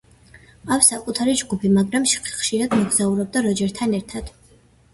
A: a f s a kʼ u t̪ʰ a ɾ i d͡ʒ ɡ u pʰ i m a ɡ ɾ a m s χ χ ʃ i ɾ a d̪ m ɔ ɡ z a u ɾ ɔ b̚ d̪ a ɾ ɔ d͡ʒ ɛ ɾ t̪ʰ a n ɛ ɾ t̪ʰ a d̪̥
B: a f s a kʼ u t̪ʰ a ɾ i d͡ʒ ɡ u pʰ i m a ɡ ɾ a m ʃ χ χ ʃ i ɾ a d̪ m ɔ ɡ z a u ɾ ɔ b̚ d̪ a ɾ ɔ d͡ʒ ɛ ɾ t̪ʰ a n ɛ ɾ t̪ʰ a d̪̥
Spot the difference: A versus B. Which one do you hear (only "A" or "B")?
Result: B